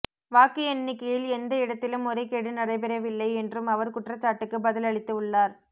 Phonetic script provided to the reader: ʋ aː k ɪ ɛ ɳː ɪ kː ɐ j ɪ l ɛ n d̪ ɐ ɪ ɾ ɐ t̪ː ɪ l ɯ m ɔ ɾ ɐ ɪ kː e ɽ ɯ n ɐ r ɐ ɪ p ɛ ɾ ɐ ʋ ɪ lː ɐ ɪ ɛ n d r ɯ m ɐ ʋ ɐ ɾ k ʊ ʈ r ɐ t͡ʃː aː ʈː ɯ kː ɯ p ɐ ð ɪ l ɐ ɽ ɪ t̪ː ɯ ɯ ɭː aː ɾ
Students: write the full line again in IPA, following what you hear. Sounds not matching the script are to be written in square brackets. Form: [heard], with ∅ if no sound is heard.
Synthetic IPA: ʋ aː k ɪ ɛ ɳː ɪ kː ɐ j ɪ l ɛ n d̪ ɐ ɪ [ɽ] ɐ t̪ː ɪ l ɯ m ɔ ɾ ɐ ɪ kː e ɽ ɯ n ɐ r ɐ ɪ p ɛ ɾ ɐ ʋ ɪ lː ɐ ɪ ɛ n d r ɯ m ɐ ʋ ɐ ɾ k ʊ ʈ r ɐ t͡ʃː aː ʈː ɯ kː ɯ [b] ɐ ð ɪ l ɐ [ɭ] ɪ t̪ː ɯ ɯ ɭː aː ɾ